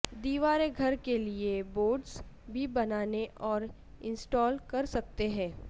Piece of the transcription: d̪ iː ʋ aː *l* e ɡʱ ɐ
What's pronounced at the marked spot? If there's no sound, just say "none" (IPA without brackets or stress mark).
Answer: ɾ